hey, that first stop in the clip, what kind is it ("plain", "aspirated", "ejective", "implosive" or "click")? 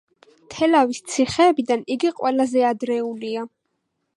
aspirated